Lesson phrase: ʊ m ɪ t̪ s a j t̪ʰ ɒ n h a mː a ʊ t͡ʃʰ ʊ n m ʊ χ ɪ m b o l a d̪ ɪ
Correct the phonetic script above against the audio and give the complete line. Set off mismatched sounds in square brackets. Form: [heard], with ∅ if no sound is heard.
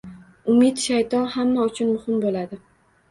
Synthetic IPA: ʊ m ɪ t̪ [ʃ] a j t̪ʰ ɒ n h a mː a ʊ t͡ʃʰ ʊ n m ʊ [h] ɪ m b o l a d̪ ɪ